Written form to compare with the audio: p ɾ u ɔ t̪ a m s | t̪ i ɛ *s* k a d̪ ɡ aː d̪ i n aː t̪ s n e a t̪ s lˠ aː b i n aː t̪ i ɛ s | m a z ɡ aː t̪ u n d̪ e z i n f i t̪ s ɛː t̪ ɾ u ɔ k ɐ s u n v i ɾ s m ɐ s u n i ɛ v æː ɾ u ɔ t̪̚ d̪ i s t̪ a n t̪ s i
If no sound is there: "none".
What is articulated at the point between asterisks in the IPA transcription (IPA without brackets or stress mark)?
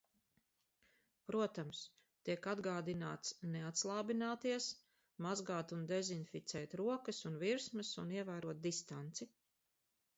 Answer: none